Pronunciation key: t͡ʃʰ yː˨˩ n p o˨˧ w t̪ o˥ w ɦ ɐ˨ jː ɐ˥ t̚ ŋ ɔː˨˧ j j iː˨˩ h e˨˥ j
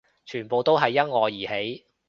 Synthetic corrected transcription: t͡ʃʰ yː˨˩ n p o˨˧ w t̪ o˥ w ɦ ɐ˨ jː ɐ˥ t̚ ŋ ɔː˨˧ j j iː˨˩ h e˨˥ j